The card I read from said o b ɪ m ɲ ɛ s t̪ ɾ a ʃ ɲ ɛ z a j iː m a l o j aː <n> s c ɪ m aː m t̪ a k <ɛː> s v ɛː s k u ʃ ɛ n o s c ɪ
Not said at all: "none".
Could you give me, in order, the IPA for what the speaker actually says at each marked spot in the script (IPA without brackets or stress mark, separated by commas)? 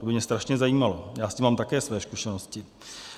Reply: none, ɛː